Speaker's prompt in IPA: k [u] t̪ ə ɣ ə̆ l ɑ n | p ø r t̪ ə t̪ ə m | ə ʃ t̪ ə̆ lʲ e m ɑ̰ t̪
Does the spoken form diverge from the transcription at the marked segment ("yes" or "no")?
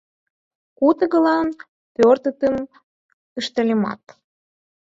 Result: no